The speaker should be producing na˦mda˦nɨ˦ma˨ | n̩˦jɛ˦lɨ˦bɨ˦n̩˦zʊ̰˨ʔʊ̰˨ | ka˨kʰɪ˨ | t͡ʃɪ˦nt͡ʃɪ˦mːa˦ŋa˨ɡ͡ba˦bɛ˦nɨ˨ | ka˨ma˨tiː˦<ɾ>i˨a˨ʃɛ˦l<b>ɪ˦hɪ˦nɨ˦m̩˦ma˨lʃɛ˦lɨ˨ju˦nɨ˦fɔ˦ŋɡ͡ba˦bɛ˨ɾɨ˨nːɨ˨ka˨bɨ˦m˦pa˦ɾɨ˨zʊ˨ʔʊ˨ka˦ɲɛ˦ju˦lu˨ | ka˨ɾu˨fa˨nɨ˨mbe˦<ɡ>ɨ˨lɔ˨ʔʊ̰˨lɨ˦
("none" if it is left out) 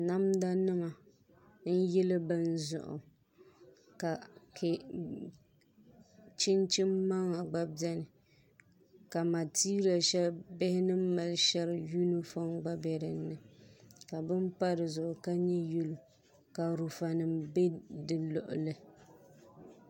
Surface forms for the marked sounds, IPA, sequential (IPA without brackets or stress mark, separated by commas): ɾ, b, d